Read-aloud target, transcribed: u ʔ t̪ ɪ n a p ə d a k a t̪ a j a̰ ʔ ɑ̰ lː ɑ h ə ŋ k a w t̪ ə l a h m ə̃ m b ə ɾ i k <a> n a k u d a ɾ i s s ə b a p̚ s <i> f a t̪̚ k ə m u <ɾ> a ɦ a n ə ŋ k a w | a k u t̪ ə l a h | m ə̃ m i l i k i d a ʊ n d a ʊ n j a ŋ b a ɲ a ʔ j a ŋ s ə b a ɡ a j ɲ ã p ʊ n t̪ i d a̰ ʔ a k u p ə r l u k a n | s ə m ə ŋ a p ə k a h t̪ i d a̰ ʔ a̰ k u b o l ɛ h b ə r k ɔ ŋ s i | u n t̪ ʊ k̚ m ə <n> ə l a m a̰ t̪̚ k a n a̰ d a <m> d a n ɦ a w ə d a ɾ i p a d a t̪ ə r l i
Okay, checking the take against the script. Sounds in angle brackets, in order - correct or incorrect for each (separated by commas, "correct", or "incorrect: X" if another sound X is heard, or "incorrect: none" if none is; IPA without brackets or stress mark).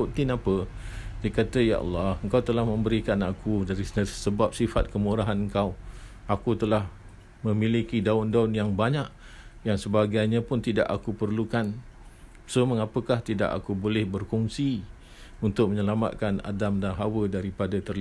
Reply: correct, correct, correct, incorrect: ɲ, correct